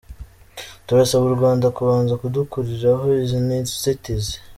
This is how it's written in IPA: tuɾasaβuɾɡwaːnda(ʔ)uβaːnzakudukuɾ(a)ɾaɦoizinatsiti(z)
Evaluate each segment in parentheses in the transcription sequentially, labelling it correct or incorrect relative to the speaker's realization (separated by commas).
incorrect, incorrect, correct